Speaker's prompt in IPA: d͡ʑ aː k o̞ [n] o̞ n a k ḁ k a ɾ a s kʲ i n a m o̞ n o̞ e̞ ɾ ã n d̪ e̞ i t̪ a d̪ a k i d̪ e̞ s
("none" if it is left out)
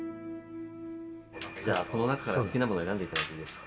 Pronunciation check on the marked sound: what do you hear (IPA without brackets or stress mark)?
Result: n